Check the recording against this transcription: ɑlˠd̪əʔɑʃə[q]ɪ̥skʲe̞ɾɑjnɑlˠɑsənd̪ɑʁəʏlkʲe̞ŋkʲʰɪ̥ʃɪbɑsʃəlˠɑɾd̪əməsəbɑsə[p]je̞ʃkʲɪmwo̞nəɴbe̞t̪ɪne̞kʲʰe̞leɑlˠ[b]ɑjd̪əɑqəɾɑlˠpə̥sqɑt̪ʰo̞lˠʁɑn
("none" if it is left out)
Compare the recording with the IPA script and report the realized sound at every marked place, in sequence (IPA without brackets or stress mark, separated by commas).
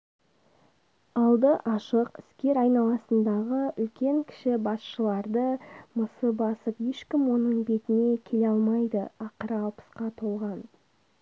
q, p, m